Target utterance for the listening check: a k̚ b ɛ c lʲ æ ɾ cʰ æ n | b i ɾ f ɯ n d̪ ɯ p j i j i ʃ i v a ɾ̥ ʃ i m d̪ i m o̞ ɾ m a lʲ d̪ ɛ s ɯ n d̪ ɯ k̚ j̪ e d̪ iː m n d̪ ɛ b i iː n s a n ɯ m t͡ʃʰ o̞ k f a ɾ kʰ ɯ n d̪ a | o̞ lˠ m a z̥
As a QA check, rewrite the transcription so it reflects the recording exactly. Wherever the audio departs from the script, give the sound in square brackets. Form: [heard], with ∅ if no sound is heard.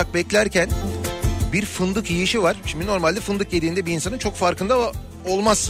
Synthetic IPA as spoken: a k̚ b ɛ c lʲ æ ɾ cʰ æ n | b i ɾ f ɯ n d̪ ɯ [k] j i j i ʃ i v a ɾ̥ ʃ i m d̪ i [n] o̞ ɾ m a lʲ d̪ ɛ [f] ɯ n d̪ ɯ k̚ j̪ e d̪ iː [∅] n d̪ ɛ b i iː n s a n ɯ [n] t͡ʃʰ o̞ k f a ɾ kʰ ɯ n d̪ a | o̞ lˠ m a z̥